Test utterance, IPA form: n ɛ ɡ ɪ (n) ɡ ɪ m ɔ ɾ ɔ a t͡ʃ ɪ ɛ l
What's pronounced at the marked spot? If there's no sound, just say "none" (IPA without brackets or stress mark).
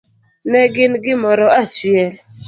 n